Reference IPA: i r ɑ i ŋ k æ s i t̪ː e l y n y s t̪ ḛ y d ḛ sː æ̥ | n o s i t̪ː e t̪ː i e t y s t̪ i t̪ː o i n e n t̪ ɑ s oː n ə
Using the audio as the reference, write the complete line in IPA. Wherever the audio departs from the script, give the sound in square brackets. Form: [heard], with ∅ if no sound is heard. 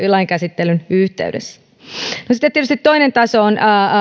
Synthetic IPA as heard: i [l] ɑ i ŋ k æ s i t̪ː e l y n y [h] t̪ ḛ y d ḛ sː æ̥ | n o s i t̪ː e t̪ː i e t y s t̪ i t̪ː o i n e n t̪ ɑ s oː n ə